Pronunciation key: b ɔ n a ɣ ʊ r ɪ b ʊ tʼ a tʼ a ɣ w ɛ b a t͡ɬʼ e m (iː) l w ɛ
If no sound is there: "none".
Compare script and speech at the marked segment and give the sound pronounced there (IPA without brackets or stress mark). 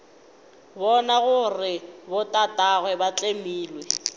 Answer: iː